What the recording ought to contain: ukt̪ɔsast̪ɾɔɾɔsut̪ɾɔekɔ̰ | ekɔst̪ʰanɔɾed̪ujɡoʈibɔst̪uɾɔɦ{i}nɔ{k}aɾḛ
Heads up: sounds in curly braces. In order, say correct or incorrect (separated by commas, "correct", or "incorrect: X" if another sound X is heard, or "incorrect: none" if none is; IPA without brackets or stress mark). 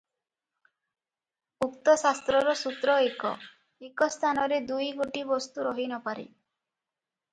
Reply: correct, incorrect: p